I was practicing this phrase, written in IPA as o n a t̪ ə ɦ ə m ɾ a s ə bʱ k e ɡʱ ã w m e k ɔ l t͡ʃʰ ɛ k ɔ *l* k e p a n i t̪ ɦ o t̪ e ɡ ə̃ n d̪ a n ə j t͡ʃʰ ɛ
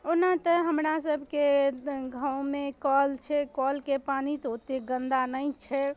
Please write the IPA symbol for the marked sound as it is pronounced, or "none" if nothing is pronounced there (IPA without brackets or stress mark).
l